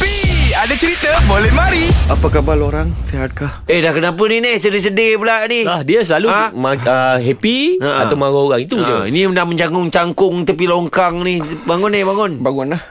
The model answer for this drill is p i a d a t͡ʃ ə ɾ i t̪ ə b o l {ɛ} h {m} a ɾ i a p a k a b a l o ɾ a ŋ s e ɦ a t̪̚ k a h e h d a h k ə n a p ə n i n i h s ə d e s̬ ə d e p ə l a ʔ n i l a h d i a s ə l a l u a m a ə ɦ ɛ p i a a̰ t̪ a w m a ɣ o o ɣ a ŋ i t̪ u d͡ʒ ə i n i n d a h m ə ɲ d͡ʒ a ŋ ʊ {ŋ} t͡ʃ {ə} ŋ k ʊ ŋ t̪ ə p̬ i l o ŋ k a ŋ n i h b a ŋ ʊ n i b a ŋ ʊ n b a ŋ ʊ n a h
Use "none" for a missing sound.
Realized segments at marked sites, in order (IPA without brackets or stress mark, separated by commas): ɛ, m, ŋ, a